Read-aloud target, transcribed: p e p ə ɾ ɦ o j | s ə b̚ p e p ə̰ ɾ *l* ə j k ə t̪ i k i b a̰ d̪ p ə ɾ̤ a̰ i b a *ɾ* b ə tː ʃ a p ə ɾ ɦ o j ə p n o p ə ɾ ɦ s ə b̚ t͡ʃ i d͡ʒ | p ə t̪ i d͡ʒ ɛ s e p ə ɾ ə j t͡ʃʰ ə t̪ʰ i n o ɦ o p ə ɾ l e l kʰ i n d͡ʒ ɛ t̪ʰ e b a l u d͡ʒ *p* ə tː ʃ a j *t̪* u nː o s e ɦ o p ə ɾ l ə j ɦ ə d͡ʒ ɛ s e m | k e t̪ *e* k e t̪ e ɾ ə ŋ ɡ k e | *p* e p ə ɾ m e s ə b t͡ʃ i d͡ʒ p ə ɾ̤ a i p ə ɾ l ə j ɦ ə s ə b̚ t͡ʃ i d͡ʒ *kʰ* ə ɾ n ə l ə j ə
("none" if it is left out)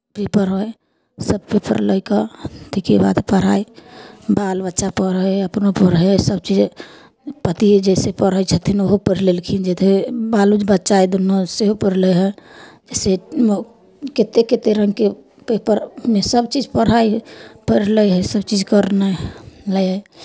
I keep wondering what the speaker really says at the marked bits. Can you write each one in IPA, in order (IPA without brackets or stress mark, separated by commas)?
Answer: l, l, b, d̪, e, p, k